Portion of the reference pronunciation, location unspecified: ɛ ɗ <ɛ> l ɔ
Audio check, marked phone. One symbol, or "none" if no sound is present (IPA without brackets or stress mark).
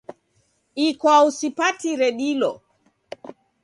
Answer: i